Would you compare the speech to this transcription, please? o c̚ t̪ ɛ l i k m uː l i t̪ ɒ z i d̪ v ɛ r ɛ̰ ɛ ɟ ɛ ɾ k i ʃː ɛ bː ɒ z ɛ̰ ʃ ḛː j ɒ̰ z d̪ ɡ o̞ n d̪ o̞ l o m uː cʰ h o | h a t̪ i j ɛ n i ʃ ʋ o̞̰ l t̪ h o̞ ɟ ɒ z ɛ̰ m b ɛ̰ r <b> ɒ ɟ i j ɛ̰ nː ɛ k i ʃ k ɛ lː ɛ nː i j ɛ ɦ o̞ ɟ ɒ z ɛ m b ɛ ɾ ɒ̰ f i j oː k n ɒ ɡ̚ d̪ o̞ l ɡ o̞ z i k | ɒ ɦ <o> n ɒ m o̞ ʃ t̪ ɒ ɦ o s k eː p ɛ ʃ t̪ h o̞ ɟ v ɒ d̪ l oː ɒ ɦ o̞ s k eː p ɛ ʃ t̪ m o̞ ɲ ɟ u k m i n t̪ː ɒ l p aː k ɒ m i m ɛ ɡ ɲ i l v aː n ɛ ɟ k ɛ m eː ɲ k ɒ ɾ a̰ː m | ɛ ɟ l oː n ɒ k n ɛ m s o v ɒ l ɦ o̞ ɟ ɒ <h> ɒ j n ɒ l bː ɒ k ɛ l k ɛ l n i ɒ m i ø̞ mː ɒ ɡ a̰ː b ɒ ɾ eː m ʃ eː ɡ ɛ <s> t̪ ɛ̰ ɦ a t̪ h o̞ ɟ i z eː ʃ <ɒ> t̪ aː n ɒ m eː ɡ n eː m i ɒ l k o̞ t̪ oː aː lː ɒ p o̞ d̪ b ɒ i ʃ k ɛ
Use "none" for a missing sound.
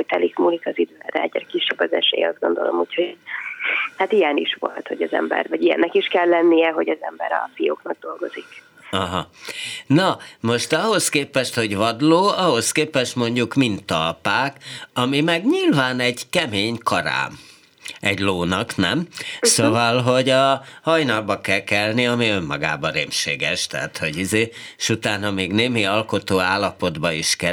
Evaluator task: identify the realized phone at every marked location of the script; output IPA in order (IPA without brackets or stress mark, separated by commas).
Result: v, ɒ, h, ʃ, u